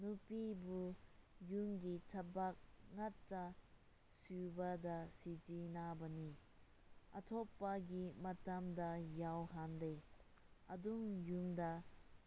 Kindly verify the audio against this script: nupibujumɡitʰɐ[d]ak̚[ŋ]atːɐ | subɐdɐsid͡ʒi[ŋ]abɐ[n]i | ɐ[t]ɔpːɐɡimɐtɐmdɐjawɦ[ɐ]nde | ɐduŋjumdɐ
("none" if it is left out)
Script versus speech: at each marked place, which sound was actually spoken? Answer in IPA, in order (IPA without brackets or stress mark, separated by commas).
b, ŋ, n, n, tʰ, a